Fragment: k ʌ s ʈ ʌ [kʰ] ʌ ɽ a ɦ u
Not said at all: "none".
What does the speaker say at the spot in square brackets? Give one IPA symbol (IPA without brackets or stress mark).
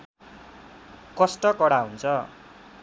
k